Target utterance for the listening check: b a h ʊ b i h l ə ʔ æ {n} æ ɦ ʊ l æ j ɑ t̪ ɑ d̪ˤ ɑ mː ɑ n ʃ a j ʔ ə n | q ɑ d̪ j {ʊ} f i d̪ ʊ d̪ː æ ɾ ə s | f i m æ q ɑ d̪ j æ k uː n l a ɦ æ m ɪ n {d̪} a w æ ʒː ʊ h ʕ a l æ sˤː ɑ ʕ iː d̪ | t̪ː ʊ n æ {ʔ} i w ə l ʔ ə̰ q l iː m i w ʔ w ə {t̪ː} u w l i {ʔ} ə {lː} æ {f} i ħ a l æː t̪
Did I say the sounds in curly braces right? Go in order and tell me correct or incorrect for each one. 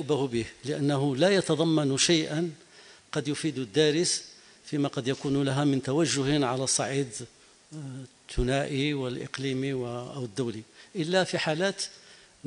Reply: incorrect: nː, correct, incorrect: t̪, correct, incorrect: d̪ː, correct, correct, correct

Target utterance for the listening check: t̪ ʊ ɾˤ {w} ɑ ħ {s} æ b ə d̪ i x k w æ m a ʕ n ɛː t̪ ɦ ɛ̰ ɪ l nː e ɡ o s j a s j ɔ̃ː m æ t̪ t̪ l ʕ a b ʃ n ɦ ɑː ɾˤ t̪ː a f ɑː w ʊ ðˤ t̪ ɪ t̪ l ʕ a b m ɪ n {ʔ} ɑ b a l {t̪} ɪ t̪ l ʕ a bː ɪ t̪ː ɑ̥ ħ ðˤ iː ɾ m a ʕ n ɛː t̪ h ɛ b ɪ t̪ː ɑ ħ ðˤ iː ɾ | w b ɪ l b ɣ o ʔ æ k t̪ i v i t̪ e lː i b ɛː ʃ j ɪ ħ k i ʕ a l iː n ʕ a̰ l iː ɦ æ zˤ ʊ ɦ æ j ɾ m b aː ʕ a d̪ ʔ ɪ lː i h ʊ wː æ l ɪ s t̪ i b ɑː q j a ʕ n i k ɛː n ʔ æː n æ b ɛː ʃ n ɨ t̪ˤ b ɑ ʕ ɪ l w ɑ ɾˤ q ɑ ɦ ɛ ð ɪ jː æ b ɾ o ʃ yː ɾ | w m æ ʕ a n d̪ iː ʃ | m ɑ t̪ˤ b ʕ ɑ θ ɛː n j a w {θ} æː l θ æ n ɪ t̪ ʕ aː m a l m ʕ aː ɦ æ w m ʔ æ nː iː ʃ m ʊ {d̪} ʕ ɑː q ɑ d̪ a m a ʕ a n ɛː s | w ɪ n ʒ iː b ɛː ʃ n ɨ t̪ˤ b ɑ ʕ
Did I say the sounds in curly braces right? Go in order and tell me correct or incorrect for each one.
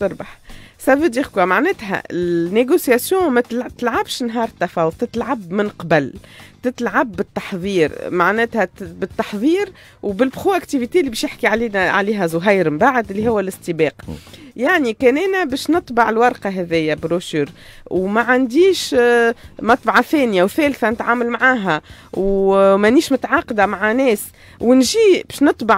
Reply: incorrect: b, correct, incorrect: q, correct, correct, incorrect: t̪

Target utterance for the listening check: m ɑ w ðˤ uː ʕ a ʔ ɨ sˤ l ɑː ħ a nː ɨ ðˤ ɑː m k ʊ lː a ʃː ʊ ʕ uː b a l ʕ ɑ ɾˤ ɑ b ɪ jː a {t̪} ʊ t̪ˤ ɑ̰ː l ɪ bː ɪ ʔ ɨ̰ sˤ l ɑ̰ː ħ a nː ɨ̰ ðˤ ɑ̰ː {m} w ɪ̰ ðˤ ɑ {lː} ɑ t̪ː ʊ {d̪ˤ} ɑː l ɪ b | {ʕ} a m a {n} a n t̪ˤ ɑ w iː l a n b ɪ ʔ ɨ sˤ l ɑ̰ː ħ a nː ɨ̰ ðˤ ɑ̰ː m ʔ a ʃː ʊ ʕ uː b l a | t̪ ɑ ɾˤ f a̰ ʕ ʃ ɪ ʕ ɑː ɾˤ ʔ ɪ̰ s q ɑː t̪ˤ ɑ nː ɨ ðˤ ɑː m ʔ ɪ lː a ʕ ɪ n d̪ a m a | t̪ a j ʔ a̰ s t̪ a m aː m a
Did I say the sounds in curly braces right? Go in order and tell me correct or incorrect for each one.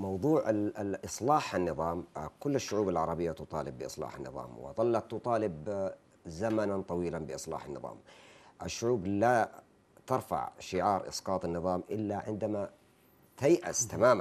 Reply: correct, correct, correct, incorrect: t̪ˤ, incorrect: z, correct

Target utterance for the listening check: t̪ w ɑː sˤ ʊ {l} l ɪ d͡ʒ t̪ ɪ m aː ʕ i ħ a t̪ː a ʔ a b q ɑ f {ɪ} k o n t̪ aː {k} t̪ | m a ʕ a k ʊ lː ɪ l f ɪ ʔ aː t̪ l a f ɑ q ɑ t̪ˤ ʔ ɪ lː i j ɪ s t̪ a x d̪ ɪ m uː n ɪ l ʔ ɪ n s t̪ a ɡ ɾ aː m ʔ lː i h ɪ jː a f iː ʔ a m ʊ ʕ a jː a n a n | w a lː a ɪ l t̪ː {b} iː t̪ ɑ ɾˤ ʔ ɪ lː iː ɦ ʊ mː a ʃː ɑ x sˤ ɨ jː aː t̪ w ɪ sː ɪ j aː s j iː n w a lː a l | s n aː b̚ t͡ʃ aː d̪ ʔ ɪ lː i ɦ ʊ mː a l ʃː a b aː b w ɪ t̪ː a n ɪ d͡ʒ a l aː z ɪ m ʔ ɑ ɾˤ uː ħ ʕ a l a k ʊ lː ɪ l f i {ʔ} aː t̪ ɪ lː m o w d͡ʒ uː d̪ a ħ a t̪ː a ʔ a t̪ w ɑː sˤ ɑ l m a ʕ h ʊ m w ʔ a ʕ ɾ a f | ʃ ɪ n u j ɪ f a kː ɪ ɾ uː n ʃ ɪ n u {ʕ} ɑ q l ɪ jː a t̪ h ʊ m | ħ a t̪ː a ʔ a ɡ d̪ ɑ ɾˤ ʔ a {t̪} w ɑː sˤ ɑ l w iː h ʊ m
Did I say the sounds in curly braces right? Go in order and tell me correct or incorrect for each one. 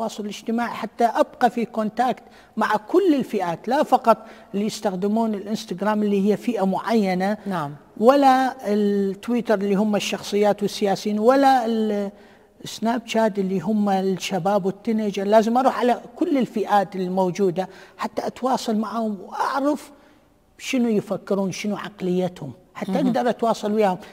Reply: correct, incorrect: i, correct, incorrect: w, correct, correct, correct

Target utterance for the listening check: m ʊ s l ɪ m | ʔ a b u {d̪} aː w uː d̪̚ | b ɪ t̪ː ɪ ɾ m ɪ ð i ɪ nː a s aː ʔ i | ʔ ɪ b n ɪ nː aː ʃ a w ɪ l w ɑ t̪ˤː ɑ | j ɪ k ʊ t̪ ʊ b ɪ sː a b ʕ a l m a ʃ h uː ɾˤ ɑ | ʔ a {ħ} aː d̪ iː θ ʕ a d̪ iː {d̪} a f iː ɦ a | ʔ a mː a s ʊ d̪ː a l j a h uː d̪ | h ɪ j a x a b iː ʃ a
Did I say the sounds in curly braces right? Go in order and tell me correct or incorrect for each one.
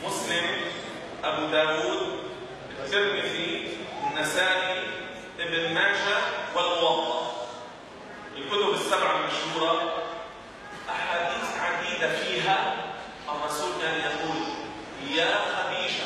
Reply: correct, correct, correct

